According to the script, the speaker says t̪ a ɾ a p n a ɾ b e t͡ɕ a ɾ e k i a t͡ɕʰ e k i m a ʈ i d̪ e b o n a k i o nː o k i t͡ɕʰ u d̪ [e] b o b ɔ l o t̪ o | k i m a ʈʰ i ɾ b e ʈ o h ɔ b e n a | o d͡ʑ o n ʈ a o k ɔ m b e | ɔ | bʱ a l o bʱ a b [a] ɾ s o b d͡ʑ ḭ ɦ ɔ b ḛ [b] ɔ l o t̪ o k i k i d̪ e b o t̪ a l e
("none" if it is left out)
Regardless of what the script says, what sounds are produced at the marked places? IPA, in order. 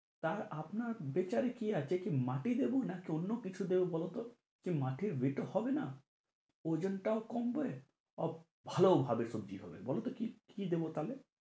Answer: e, e, b

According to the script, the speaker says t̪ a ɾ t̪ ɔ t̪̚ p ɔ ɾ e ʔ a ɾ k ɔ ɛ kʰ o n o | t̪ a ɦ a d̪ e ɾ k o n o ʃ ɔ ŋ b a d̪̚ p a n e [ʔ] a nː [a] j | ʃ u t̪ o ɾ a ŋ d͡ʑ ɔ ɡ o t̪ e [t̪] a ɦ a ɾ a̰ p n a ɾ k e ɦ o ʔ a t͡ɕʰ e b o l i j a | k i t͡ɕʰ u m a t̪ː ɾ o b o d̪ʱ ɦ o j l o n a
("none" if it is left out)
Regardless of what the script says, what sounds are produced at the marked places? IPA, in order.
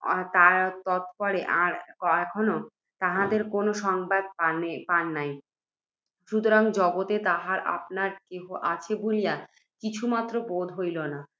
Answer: p, a, t̪

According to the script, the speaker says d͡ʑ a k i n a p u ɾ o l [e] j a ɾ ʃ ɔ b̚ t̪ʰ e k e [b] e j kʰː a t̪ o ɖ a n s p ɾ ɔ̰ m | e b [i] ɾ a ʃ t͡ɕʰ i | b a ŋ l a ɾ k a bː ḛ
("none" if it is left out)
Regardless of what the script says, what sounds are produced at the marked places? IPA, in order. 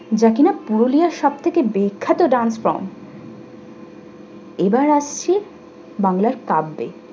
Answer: i, b, a

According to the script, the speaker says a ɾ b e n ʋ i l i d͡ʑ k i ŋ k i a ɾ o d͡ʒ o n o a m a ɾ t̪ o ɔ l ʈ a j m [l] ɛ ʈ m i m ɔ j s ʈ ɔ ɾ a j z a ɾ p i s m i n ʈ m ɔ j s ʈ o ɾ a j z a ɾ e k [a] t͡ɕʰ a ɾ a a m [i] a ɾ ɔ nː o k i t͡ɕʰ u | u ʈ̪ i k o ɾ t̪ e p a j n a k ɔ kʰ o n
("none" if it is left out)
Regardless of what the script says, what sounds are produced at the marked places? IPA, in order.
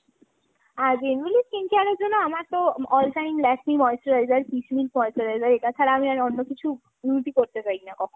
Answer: l, a, i

